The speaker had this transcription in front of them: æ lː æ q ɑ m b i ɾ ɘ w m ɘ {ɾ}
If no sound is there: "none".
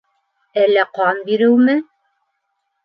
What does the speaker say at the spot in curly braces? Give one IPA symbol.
none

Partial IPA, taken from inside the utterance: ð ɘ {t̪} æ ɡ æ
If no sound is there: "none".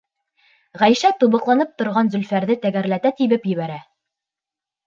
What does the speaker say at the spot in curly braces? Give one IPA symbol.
t̪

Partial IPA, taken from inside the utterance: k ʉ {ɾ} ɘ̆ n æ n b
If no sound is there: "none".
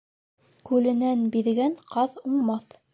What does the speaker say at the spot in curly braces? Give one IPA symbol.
l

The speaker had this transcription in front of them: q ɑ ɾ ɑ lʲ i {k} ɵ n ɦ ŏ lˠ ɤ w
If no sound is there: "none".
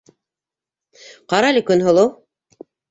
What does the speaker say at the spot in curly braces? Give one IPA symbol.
k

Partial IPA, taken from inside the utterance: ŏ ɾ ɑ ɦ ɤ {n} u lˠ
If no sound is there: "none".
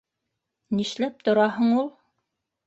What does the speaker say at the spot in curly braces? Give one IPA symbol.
ɴ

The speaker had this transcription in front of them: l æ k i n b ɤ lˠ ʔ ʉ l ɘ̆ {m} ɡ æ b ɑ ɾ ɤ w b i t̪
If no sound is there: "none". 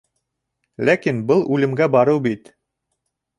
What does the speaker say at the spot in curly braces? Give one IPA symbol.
m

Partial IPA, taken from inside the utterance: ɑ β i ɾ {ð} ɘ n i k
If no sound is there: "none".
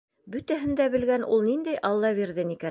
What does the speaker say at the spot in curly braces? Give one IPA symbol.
ð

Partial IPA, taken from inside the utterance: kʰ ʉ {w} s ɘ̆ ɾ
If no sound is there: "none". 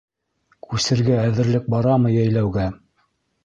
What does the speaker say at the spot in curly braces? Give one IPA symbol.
none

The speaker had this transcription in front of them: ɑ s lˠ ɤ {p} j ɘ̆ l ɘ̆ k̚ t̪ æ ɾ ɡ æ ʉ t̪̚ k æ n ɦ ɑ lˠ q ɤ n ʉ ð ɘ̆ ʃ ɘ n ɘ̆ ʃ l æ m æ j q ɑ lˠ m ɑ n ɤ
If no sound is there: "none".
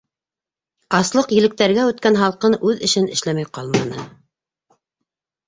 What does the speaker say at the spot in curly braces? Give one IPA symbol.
q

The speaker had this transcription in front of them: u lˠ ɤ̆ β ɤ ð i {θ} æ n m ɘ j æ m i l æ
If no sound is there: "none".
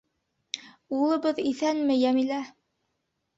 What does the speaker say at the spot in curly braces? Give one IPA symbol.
θ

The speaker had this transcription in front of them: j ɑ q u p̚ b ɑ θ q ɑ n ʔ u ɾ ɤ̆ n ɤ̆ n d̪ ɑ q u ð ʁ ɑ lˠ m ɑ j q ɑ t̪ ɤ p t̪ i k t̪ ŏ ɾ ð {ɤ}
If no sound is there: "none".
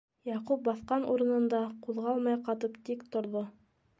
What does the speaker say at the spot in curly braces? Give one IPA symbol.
o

